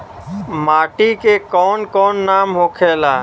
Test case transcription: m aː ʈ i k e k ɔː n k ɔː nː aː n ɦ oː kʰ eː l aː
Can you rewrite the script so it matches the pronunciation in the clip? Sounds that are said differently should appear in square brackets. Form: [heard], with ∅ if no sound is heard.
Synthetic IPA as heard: m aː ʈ i k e k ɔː n k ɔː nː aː [m] ɦ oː kʰ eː l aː